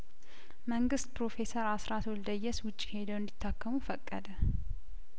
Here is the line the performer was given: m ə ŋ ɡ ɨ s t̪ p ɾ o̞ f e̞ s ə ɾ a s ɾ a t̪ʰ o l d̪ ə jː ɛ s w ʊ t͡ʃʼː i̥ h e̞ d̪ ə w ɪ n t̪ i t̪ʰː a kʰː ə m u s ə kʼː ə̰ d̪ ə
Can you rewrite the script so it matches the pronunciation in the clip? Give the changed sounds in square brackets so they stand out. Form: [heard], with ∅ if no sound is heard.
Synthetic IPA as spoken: m ə ŋ ɡ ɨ s t̪ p ɾ o̞ f e̞ s ə ɾ a s ɾ a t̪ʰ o l d̪ ə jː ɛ s w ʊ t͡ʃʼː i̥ h e̞ d̪ ə w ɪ n [d̪] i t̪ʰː a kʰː ə m u [f] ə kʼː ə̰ d̪ ə